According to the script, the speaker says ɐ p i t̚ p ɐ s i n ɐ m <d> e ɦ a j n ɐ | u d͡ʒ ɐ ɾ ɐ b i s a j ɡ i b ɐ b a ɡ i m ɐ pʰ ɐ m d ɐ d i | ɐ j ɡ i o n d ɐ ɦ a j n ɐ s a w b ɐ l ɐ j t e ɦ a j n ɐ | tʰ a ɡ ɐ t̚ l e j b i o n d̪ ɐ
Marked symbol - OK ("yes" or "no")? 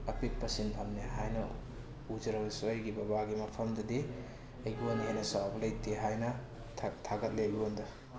no